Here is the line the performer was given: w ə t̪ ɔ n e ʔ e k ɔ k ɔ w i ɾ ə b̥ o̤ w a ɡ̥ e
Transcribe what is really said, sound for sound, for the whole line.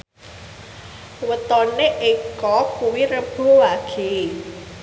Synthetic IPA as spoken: w ə t̪ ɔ n e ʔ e k ɔ k u w i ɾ ə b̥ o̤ w a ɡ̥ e